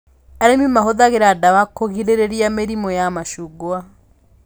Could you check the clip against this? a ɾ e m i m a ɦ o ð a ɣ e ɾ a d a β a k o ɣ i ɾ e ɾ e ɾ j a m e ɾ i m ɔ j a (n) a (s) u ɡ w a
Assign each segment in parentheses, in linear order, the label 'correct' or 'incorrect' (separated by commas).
incorrect, incorrect